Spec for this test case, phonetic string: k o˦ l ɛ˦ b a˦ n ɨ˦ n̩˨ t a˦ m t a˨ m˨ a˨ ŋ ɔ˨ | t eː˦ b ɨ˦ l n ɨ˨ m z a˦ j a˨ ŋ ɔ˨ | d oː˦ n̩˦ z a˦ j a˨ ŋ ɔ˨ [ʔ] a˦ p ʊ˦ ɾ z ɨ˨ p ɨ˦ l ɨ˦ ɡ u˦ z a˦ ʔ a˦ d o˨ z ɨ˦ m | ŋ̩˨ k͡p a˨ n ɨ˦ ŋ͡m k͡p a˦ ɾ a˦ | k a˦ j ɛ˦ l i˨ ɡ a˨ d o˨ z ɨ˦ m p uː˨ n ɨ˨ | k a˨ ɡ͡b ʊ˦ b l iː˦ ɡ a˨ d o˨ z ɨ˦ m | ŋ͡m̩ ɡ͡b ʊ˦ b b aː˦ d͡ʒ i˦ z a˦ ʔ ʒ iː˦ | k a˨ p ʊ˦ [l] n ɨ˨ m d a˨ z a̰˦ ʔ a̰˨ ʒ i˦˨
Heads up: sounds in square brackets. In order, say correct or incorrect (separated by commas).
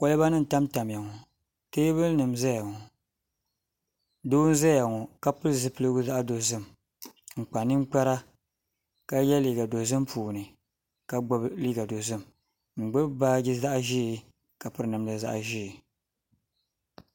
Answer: incorrect, incorrect